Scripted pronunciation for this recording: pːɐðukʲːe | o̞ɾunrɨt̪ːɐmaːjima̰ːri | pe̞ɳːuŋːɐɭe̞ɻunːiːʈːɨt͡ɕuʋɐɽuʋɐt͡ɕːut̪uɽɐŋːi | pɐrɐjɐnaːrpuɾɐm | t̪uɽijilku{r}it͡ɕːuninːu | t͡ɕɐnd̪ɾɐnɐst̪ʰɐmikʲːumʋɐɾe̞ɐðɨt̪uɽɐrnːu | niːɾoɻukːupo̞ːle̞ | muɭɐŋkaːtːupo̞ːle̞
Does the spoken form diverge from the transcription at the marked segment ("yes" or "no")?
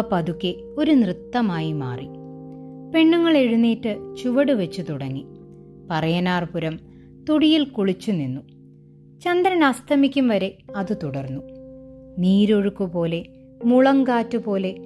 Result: yes